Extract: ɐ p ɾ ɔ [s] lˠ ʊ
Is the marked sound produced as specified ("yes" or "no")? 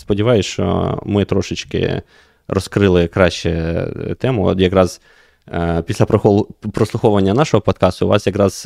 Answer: yes